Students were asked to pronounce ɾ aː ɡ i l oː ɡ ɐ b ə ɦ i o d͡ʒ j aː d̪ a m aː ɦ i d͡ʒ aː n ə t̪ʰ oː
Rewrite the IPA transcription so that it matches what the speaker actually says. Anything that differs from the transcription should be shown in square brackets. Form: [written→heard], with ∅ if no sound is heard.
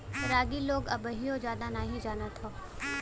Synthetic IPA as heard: ɾ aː ɡ i l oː ɡ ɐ b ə ɦ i o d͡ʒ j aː d̪ a [m→n] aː ɦ i d͡ʒ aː n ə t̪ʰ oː